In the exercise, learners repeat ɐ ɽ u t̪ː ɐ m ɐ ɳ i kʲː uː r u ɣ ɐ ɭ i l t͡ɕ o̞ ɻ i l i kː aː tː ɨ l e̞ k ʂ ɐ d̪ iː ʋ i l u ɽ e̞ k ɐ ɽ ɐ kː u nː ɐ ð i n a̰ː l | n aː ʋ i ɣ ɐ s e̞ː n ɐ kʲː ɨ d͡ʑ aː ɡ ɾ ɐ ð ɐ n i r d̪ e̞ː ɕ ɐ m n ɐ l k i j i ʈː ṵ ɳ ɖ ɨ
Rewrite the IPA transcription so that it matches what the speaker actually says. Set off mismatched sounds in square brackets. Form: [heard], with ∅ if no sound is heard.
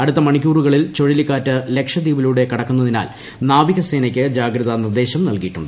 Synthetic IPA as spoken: ɐ ɽ u t̪ː ɐ m ɐ ɳ i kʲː uː r u ɣ ɐ ɭ i l t͡ɕ o̞ ɻ i l i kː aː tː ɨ l e̞ k ʂ ɐ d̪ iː ʋ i l u ɽ e̞ k ɐ ɽ ɐ kː u nː ɐ ð i n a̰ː l | n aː ʋ i ɣ ɐ s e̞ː n ɐ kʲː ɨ d͡ʑ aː ɡ ɾ ɐ ð ɐ n i r d̪ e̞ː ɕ ɐ m n ɐ l k i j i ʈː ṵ ɳ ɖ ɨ